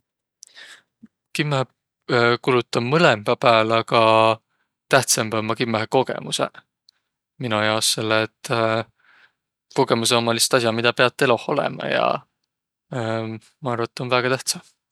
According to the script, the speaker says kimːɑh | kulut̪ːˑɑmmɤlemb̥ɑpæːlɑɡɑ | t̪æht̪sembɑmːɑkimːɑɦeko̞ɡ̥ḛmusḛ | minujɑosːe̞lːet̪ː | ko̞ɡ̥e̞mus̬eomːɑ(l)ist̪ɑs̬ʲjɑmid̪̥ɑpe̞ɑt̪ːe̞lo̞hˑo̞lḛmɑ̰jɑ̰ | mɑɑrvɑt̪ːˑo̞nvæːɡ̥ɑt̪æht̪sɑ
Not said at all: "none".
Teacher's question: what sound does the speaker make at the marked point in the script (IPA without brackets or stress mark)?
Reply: l